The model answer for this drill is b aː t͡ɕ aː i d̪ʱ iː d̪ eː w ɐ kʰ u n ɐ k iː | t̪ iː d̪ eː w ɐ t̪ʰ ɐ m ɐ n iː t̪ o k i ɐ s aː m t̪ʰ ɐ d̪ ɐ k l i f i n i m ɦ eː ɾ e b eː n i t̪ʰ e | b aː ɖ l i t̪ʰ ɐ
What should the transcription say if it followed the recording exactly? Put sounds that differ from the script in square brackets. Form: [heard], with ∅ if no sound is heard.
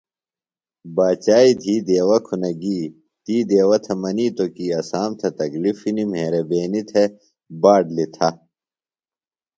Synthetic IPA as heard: b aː t͡ɕ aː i d̪ʱ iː d̪ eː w ɐ kʰ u n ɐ [ɡ] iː | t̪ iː d̪ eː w ɐ t̪ʰ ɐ m ɐ n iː t̪ o k i ɐ s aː m t̪ʰ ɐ [t̪] ɐ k l i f i n i m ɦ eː ɾ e b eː n i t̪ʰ e | b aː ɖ l i t̪ʰ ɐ